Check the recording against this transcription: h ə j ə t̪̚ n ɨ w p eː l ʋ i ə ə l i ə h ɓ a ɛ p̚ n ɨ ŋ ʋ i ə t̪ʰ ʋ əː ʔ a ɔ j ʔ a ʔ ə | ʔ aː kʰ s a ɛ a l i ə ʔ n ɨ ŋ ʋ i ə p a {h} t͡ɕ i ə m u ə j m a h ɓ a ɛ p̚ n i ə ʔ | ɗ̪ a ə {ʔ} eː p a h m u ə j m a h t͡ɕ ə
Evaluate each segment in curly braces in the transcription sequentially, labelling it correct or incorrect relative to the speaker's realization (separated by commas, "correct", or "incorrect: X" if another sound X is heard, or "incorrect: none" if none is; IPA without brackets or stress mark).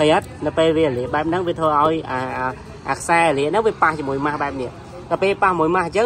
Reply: correct, incorrect: p